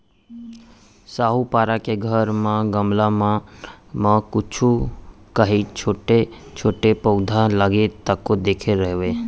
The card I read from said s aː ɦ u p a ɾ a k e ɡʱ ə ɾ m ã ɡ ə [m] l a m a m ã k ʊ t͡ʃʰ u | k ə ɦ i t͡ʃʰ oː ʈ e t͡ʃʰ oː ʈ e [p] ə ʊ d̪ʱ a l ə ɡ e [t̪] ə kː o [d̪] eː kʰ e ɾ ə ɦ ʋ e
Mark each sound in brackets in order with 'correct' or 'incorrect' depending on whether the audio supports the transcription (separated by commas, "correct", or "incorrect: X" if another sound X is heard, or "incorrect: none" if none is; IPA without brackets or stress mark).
correct, correct, correct, correct